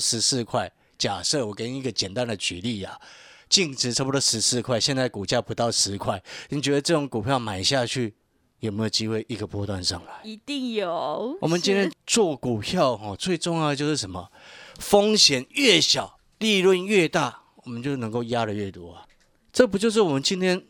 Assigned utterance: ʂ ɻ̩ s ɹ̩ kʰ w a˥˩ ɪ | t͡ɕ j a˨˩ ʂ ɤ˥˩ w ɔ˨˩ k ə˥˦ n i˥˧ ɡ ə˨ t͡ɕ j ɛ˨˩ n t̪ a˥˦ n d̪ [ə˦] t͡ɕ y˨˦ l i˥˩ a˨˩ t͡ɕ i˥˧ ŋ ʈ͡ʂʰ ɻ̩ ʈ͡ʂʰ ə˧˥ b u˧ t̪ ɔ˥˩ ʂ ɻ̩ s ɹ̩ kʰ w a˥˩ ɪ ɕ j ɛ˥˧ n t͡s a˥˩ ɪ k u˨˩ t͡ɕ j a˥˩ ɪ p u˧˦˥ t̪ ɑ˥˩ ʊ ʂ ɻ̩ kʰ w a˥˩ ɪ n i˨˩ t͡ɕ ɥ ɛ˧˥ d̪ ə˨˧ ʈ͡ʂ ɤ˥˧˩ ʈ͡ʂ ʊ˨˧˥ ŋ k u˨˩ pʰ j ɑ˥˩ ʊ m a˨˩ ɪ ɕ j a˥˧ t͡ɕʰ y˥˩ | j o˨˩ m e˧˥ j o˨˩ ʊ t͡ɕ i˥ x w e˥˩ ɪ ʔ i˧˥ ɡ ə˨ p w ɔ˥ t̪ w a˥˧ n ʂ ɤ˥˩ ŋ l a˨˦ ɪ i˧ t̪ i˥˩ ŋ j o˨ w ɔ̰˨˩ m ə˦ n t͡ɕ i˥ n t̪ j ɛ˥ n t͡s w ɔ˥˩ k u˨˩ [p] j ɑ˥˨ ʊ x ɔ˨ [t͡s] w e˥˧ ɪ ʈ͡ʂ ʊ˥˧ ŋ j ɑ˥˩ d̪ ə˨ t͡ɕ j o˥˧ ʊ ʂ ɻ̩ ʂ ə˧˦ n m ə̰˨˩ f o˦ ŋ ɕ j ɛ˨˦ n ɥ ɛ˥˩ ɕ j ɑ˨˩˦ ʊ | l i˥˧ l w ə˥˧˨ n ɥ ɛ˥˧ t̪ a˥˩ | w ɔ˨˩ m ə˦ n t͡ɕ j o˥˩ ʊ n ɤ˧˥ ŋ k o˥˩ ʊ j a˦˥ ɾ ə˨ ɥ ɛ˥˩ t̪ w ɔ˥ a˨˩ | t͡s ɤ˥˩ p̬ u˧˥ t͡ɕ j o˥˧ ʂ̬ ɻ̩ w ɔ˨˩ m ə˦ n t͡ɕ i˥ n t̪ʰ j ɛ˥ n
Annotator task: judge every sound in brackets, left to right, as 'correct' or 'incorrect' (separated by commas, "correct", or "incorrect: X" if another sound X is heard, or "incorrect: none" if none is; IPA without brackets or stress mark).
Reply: incorrect: ə˨, incorrect: pʰ, correct